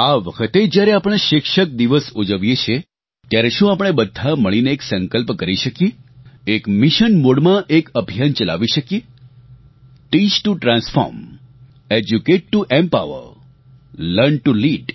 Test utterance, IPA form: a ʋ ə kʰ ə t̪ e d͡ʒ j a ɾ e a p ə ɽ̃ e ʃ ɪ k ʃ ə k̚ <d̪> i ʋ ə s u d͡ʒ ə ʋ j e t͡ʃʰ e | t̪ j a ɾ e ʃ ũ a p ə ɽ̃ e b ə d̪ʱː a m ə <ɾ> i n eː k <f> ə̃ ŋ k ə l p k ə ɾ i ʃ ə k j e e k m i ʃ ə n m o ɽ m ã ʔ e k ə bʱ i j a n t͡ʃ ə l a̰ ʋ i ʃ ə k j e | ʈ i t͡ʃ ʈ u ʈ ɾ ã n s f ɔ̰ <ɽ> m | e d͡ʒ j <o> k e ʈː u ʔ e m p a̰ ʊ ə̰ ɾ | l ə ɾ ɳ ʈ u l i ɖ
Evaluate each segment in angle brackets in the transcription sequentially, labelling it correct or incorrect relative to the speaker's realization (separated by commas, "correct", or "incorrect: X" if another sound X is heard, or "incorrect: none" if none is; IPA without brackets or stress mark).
correct, incorrect: ɭ, incorrect: s, incorrect: ɾ, incorrect: u